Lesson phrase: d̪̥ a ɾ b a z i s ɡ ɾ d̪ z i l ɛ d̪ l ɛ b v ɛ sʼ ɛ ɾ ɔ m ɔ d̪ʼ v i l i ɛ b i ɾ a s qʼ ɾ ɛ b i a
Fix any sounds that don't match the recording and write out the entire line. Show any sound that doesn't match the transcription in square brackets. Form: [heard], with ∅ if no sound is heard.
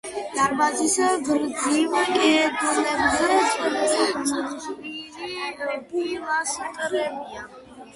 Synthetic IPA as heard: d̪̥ a ɾ b a z i s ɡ ɾ d̪ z i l ɛ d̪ l ɛ b [z] ɛ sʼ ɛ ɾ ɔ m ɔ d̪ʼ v i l i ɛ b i [l] a s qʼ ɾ ɛ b i a

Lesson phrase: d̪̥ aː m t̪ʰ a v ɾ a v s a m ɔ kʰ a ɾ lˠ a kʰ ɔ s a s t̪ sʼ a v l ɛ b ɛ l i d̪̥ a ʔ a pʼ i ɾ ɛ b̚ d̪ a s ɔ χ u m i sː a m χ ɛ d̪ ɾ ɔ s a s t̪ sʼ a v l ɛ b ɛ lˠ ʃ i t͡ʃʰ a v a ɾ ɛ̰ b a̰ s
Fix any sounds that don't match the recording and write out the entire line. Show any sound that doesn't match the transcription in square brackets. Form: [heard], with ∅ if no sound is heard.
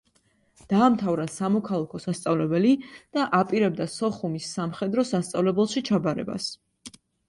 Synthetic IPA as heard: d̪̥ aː m t̪ʰ a v ɾ a [∅] s a m ɔ kʰ a [∅] lˠ a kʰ ɔ s a s t̪ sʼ a v l ɛ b ɛ l i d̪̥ a ʔ a pʼ i ɾ ɛ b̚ d̪ a s ɔ χ u m i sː a m χ ɛ d̪ ɾ ɔ s a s t̪ sʼ a v l ɛ b ɛ lˠ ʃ i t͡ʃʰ a [b] a ɾ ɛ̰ b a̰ s

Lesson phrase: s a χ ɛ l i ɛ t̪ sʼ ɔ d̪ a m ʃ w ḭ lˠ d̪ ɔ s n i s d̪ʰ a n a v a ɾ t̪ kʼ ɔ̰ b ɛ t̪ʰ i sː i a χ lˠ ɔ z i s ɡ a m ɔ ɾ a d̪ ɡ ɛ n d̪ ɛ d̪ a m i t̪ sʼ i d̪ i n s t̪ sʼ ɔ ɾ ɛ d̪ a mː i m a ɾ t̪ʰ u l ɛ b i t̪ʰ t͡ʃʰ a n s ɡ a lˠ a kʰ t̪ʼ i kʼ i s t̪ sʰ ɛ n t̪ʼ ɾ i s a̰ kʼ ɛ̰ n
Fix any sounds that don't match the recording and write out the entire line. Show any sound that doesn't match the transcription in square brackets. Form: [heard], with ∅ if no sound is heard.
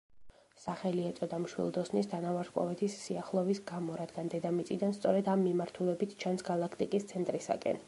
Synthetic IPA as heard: s a χ ɛ l i ɛ t̪ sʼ ɔ d̪ a m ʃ w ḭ lˠ d̪ ɔ s n i s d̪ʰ a n a v a ɾ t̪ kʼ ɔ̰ [v] ɛ t̪ʰ i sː i a χ lˠ ɔ [v] i s ɡ a m ɔ ɾ a d̪ ɡ [a] n d̪ ɛ d̪ a m i t̪ sʼ i d̪ [a] n s t̪ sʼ ɔ ɾ ɛ d̪ a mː i m a ɾ t̪ʰ u l ɛ b i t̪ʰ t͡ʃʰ a n s ɡ a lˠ a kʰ t̪ʼ i kʼ i s t̪ sʰ ɛ n t̪ʼ ɾ i s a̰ kʼ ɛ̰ n

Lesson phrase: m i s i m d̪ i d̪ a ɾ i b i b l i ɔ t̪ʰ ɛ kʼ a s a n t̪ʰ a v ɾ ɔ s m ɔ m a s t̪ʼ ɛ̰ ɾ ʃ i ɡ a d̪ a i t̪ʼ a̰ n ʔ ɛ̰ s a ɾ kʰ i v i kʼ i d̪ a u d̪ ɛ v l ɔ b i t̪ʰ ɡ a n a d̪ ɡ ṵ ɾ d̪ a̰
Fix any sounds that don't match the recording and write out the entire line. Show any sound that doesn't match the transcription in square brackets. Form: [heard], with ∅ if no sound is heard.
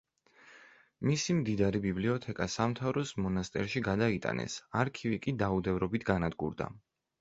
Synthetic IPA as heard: m i s i m d̪ i d̪ a ɾ i b i b l i ɔ t̪ʰ ɛ kʼ a s a [m] t̪ʰ a v ɾ ɔ s m ɔ [n] a s t̪ʼ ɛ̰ ɾ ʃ i ɡ a d̪ a i t̪ʼ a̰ n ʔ ɛ̰ s a ɾ kʰ i v i kʼ i d̪ a u d̪ ɛ v [ɾ] ɔ b i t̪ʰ ɡ a n a d̪ ɡ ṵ ɾ d̪ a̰

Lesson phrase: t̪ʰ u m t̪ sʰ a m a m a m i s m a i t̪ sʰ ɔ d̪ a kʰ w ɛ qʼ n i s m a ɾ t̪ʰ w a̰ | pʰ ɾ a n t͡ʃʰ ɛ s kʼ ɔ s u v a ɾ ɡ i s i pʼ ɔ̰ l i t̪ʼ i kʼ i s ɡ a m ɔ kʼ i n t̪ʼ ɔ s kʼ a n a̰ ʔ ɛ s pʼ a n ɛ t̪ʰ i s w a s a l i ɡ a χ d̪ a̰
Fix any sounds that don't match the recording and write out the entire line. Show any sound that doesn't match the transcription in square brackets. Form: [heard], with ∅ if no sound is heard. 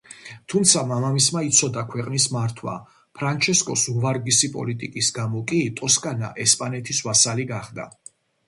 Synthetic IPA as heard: t̪ʰ u m t̪ sʰ a m a m a m i s m a i t̪ sʰ ɔ d̪ a kʰ w ɛ qʼ n i s m a ɾ t̪ʰ w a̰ | pʰ ɾ a n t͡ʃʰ ɛ s kʼ ɔ s u v a ɾ ɡ i s i pʼ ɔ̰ l i t̪ʼ i kʼ i s ɡ a m ɔ kʼ i [∅] t̪ʼ ɔ s kʼ a n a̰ ʔ ɛ s pʼ a n ɛ t̪ʰ i s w a s a l i ɡ a χ d̪ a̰

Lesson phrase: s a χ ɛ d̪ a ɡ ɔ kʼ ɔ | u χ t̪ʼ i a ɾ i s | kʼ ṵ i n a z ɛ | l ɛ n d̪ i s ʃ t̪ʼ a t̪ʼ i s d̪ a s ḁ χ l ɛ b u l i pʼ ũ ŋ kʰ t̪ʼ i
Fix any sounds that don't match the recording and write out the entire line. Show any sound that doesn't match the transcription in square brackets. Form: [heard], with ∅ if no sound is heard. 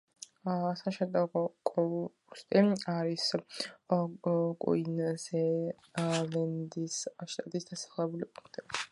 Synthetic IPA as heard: s a [ʃ] ɛ d̪ a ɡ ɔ kʼ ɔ | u [s] t̪ʼ i a ɾ i s | kʼ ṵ i n a z ɛ | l ɛ n d̪ i s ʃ t̪ʼ a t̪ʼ i s d̪ a s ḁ χ l ɛ b u l i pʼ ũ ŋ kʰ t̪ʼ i

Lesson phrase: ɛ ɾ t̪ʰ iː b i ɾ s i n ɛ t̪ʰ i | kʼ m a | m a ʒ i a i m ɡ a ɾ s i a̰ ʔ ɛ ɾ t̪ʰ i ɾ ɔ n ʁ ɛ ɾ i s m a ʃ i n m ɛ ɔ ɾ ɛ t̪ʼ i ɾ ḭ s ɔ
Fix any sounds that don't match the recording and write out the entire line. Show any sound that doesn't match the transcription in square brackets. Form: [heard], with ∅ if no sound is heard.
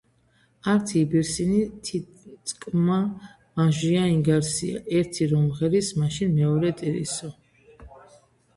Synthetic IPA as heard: [a] ɾ t̪ʰ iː b i ɾ s i n [i] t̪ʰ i | kʼ m a | m a ʒ i a i [ŋ] ɡ a ɾ s i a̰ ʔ ɛ ɾ t̪ʰ i ɾ ɔ [m] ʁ ɛ ɾ i s m a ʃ i n m ɛ ɔ ɾ ɛ t̪ʼ i ɾ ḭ s ɔ

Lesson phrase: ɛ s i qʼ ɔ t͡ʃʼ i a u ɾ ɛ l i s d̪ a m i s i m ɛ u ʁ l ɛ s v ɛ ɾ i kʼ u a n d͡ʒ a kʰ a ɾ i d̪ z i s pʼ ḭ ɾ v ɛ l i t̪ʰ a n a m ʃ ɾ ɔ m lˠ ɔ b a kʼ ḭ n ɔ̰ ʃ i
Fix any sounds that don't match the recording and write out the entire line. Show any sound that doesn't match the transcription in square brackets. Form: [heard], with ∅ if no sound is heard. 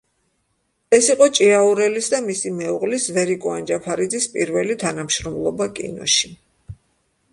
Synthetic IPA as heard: ɛ s i qʼ ɔ t͡ʃʼ i a u ɾ ɛ l i s d̪ a m i s i m ɛ u ʁ l [i] s v ɛ ɾ i kʼ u a n d͡ʒ a [pʰ] a ɾ i d̪ z i s pʼ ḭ ɾ v ɛ l i t̪ʰ a n a m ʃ ɾ ɔ m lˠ ɔ b a kʼ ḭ n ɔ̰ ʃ i

